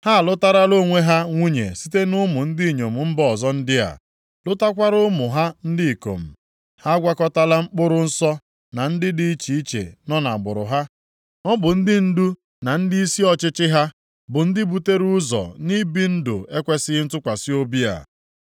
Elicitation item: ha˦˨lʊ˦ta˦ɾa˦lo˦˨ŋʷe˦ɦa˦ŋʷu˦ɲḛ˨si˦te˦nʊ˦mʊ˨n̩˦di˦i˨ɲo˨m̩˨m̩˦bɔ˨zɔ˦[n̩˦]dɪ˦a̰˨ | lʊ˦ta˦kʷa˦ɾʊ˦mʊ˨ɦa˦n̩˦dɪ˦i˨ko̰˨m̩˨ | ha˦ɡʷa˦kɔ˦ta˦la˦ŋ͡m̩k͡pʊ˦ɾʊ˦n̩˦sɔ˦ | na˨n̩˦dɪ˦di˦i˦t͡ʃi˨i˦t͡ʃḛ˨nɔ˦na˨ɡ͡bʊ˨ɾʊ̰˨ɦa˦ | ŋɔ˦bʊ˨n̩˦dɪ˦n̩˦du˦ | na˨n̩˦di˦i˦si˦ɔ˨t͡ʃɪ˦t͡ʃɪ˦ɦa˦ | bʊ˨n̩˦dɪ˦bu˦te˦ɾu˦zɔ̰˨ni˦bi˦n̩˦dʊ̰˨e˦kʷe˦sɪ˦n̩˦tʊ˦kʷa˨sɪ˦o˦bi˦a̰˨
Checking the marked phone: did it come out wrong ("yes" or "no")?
no